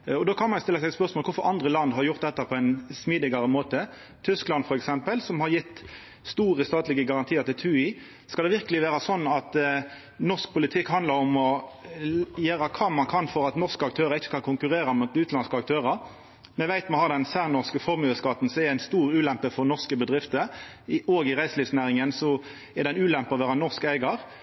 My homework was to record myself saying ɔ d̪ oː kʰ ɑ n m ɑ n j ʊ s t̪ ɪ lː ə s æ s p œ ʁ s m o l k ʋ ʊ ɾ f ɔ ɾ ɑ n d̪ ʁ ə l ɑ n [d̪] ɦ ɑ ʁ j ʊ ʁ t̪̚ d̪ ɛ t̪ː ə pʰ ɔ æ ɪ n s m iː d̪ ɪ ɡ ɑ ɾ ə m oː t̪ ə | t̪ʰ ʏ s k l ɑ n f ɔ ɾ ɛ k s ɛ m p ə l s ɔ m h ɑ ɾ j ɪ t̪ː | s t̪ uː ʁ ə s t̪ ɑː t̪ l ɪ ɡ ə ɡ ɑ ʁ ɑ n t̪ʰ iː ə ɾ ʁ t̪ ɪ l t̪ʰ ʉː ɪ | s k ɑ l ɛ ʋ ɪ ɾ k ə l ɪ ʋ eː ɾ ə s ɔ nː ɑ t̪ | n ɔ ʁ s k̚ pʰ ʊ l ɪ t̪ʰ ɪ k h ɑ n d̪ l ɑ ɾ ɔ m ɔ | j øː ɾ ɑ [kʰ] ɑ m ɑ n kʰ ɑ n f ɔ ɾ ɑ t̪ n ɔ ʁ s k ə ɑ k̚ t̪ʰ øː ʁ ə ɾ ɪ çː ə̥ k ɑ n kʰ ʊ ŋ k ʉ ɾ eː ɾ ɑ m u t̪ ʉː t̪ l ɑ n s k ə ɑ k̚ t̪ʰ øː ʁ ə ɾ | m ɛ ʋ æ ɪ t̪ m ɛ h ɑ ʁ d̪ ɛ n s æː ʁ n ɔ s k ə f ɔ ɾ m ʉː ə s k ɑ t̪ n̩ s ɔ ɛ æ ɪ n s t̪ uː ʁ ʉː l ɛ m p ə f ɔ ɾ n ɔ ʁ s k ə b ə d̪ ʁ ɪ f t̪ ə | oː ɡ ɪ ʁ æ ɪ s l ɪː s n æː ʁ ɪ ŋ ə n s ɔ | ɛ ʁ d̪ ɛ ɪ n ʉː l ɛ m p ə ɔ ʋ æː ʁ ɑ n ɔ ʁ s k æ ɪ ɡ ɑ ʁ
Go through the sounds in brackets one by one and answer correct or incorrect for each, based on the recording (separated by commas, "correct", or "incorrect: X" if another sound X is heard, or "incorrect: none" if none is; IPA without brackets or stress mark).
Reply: correct, correct